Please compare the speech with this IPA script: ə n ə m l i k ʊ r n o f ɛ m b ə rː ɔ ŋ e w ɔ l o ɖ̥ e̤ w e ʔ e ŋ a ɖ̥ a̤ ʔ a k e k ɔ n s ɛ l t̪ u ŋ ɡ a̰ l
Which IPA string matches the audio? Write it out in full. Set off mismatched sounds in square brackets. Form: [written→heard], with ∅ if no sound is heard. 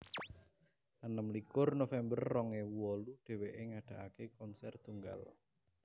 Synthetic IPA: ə n ə m l i k ʊ r n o f ɛ m b ə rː ɔ ŋ e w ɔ l [o→u] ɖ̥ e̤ w e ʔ e ŋ a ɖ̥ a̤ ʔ a k e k ɔ n s ɛ [l→r] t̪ u ŋ ɡ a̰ l